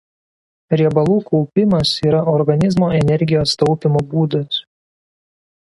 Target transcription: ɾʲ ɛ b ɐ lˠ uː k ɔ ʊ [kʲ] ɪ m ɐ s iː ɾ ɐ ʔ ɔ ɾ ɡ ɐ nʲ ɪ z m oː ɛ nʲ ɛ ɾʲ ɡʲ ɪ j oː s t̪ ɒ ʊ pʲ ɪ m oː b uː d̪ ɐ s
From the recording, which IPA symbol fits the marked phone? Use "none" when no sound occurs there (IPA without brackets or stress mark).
pʲ